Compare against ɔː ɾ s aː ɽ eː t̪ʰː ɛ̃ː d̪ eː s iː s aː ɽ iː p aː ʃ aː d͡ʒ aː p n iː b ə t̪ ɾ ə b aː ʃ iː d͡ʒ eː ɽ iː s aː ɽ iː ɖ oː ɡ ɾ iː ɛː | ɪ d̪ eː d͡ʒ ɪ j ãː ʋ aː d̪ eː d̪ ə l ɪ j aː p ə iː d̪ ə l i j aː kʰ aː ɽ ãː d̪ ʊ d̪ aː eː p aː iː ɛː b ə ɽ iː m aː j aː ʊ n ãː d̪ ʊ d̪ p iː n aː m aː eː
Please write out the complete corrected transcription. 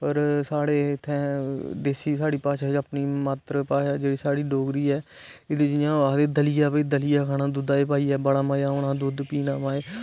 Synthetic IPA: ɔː ɾ s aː ɽ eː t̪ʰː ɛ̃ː d̪ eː s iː s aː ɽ iː p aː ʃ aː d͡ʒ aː p n iː m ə t̪ ɾ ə p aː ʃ aː d͡ʒ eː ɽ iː s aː ɽ iː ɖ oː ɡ ɾ iː ɛː | ɪ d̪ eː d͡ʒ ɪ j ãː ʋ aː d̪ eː d̪ ə l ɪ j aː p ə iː d̪ ə l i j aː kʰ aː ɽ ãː d̪ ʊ d̪ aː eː p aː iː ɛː b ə ɽ aː m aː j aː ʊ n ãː d̪ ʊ d̪ p iː n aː m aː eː